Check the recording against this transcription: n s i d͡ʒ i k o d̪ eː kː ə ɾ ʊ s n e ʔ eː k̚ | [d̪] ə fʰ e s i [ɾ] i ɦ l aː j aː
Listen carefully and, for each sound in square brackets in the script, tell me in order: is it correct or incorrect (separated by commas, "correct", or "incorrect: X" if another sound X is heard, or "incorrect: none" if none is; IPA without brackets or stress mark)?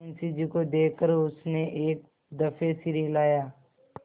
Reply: correct, correct